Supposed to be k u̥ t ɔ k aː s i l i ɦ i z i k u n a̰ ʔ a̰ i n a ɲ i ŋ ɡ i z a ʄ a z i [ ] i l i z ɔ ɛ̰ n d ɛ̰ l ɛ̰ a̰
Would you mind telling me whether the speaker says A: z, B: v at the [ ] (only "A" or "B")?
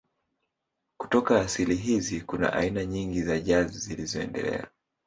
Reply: A